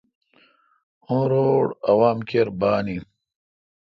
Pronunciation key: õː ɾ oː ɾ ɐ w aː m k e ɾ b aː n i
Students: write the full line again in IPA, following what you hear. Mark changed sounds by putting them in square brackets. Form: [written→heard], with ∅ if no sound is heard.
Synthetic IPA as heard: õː ɾ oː [ɾ→ɽ] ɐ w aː m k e ɾ b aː n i